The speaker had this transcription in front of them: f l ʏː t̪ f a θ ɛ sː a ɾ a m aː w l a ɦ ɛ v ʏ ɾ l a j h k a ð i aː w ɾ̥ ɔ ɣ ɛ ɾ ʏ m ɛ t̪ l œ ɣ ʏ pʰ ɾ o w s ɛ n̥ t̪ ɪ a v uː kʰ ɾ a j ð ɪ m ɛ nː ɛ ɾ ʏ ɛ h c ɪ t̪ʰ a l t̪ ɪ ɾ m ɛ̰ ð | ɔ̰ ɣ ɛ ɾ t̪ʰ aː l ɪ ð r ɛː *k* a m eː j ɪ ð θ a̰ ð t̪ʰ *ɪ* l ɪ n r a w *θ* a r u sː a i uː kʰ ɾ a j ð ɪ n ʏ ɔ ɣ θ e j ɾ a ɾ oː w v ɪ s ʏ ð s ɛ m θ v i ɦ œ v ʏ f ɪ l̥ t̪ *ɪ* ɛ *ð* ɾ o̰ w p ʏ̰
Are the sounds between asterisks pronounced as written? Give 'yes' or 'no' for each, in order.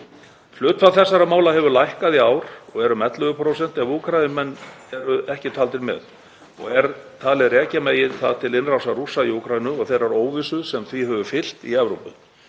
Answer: no, yes, no, no, no

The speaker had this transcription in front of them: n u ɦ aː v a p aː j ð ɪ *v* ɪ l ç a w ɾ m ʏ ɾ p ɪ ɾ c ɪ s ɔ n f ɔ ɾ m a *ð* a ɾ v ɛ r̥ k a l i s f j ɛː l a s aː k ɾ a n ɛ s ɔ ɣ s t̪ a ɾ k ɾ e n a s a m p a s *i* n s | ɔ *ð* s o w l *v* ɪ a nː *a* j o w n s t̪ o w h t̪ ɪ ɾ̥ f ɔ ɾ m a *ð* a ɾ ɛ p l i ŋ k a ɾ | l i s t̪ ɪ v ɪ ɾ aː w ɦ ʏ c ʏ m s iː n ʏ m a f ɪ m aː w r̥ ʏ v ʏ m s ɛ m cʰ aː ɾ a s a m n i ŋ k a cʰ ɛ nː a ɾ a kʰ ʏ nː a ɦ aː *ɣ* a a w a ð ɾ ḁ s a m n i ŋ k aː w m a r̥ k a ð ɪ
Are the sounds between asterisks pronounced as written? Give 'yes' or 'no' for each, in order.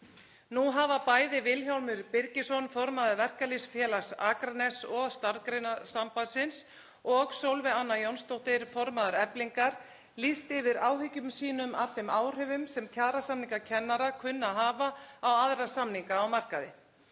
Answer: yes, yes, no, no, yes, yes, yes, no

